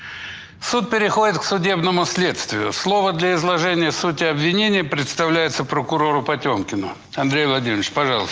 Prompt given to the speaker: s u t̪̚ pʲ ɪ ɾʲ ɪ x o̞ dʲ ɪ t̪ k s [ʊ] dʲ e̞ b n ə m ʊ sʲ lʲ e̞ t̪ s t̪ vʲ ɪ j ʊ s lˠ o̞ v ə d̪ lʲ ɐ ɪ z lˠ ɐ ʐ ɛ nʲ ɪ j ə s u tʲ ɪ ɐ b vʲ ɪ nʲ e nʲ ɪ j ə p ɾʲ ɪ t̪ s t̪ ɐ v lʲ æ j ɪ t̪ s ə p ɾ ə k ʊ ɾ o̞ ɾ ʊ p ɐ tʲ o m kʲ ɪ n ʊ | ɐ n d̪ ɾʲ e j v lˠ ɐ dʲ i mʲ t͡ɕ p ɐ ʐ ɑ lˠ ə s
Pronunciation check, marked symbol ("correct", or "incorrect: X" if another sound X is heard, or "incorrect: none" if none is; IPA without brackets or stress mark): correct